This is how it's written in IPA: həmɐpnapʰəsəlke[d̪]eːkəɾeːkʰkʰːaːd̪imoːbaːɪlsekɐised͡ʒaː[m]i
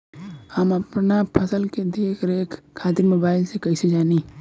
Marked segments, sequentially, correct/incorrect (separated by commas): correct, incorrect